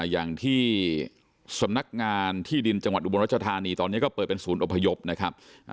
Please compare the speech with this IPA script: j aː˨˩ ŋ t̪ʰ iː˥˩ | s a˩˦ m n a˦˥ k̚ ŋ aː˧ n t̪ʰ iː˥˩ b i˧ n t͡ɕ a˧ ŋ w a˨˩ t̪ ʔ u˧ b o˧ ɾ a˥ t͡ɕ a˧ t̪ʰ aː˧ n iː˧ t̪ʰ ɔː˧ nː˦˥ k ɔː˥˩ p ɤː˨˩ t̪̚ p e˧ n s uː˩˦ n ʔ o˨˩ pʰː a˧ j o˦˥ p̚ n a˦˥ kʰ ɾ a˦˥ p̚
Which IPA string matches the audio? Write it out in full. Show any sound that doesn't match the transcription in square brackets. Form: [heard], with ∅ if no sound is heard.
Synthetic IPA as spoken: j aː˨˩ ŋ t̪ʰ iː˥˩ | s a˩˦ m n a˦˥ k̚ ŋ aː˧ n t̪ʰ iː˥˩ [d] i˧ n t͡ɕ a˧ ŋ w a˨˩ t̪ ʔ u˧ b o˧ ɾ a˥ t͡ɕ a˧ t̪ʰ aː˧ n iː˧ [t̪] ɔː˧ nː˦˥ k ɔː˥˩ p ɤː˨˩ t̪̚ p e˧ n s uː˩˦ n ʔ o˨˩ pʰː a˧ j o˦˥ p̚ n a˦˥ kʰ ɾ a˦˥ p̚